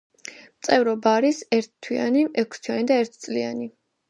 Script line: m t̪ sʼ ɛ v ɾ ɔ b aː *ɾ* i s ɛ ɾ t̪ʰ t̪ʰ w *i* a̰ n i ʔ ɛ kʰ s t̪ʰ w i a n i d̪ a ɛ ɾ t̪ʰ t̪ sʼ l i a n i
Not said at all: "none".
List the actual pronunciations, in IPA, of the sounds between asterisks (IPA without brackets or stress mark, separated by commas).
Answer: ɾ, i